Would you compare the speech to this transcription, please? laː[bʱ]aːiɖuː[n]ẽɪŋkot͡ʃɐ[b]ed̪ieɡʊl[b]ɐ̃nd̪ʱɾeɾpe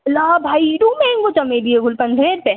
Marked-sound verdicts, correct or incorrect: correct, incorrect, incorrect, incorrect

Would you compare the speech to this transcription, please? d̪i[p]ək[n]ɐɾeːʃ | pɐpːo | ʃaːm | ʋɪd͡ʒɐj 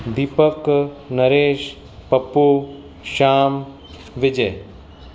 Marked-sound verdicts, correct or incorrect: correct, correct

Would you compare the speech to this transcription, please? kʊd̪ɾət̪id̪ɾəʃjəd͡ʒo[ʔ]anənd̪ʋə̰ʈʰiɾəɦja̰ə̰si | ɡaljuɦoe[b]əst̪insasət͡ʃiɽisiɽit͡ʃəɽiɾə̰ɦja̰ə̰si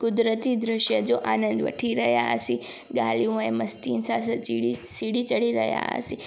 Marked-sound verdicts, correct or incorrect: correct, incorrect

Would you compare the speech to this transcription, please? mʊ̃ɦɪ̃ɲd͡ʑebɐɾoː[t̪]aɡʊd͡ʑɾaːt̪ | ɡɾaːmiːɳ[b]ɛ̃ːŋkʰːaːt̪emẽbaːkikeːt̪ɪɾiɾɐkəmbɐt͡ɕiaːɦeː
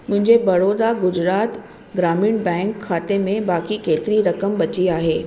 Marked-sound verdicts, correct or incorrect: incorrect, correct

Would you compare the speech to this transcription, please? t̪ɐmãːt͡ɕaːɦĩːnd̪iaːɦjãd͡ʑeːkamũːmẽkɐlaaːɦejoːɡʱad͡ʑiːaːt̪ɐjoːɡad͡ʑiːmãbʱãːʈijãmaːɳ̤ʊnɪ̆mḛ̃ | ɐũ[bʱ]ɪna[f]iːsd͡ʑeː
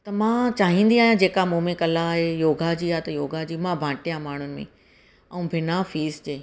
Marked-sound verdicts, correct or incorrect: correct, correct

